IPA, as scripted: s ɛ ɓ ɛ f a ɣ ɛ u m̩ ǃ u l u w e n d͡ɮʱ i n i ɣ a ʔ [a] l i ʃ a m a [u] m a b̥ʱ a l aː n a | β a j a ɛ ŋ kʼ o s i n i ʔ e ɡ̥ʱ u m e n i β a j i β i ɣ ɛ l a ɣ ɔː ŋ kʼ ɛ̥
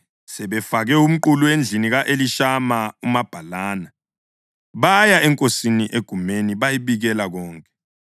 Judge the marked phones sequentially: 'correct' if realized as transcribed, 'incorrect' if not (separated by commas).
incorrect, correct